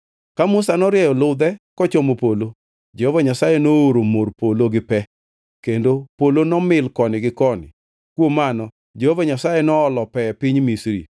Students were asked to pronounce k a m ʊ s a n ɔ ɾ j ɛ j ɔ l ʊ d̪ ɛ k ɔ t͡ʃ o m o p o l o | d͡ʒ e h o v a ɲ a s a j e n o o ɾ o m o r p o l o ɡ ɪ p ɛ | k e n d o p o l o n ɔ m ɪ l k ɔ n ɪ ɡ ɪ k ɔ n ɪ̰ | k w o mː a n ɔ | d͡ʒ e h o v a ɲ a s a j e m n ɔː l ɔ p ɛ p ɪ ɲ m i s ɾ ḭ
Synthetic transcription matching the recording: k a m ʊ s a n ɔ ɾ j ɛ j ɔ l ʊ d̪ ɛ k ɔ t͡ʃ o m o p o l o | d͡ʒ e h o v a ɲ a s a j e n o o ɾ o m o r p o l o ɡ ɪ p ɛ | k e n d o p o l o n ɔ m ɪ l k ɔ n ɪ ɡ ɪ k ɔ n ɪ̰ | k w o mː a n ɔ | d͡ʒ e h o v a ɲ a s a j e n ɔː l ɔ p ɛ p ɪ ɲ m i s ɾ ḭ